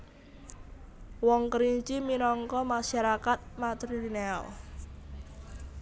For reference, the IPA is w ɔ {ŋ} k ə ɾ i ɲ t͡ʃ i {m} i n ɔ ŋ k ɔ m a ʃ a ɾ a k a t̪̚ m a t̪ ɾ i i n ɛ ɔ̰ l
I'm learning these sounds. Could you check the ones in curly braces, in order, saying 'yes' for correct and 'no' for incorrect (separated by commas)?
yes, yes